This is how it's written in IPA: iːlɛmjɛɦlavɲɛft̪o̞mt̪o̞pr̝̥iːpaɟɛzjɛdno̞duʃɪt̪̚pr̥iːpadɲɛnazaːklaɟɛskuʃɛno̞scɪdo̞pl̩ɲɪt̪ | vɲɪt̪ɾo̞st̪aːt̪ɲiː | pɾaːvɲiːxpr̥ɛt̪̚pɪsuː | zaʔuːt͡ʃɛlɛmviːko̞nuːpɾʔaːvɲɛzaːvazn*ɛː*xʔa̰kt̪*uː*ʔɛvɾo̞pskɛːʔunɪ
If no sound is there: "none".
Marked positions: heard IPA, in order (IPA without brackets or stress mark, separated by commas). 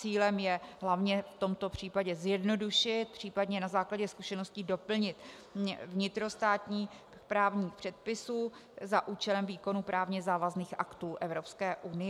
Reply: iː, uː